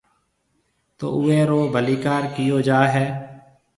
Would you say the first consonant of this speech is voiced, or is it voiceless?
voiceless